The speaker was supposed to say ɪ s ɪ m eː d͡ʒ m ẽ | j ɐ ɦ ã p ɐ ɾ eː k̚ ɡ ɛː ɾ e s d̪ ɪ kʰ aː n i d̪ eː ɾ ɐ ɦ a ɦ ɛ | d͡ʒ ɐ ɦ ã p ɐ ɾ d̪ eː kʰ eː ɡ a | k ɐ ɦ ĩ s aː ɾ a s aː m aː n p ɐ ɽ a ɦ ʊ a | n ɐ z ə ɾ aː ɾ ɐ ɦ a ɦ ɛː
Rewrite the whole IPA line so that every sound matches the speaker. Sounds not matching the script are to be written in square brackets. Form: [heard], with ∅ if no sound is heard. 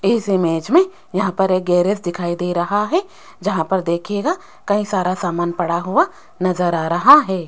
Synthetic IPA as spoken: ɪ s ɪ m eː d͡ʒ m ẽ | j ɐ ɦ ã p ɐ ɾ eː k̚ ɡ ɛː ɾ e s d̪ ɪ kʰ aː [∅] i d̪ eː ɾ ɐ ɦ a ɦ ɛ | d͡ʒ ɐ ɦ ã p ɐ ɾ d̪ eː kʰ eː ɡ a | k ɐ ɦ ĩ s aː ɾ a s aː m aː n p ɐ ɽ a ɦ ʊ a | n ɐ z ə ɾ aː ɾ ɐ ɦ a ɦ ɛː